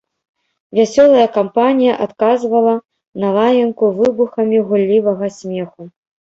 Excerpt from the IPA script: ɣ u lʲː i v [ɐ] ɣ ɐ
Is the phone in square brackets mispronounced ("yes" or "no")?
no